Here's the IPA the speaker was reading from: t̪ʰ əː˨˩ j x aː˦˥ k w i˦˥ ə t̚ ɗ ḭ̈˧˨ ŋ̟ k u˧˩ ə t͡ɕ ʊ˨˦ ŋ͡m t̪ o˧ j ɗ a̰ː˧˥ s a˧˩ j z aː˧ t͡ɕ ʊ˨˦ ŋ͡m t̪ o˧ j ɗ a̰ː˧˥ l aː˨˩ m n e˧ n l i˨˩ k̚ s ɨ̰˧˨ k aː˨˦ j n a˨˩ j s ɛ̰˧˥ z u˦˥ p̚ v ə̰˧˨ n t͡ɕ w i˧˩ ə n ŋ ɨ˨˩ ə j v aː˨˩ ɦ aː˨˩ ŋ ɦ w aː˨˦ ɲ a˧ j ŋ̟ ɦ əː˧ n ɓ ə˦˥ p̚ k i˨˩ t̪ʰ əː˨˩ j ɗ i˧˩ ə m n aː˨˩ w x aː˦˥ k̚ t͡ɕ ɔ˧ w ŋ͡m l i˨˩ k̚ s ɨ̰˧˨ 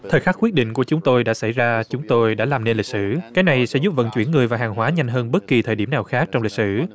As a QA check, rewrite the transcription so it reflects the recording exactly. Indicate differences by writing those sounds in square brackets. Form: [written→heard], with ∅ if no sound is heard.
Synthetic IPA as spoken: t̪ʰ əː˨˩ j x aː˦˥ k w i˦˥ ə t̚ ɗ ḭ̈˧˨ ŋ̟ k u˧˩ ə t͡ɕ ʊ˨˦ ŋ͡m t̪ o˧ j ɗ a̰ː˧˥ s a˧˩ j z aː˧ t͡ɕ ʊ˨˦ ŋ͡m t̪ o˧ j ɗ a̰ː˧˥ l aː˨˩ m n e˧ n l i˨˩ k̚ s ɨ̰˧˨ k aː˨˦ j n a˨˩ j s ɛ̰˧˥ z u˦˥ p̚ v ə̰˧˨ n t͡ɕ w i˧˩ ə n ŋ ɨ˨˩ ə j v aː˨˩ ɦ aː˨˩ ŋ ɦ w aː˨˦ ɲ a˧ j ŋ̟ ɦ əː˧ n ɓ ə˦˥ [p̚→t̚] k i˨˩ t̪ʰ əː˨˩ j ɗ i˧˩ ə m n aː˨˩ w x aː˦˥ k̚ t͡ɕ ɔ˧ w ŋ͡m l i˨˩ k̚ s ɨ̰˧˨

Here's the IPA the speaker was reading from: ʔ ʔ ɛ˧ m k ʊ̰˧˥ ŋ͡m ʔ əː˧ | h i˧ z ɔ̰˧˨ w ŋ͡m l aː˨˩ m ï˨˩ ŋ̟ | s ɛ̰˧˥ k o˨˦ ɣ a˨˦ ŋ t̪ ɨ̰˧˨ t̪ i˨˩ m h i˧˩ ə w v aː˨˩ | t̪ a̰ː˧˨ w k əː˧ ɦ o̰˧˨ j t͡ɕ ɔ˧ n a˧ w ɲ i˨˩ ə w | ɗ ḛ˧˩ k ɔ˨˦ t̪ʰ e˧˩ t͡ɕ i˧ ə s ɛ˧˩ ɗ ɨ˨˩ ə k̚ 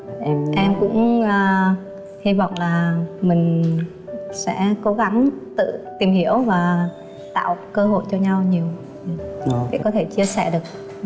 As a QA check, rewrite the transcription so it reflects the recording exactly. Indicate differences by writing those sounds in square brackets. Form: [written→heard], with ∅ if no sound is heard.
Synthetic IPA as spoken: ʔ ʔ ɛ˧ m k ʊ̰˧˥ ŋ͡m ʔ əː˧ | h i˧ [z→v] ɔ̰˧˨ w ŋ͡m l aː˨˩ m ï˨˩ ŋ̟ | s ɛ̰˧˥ k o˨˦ ɣ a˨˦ ŋ t̪ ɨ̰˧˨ t̪ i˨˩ m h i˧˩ ə w v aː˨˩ | t̪ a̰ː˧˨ w k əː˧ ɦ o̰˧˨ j t͡ɕ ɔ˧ [n→ɲ] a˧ w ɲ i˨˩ ə w | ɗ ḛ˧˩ k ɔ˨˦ t̪ʰ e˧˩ t͡ɕ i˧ ə s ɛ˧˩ ɗ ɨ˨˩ ə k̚

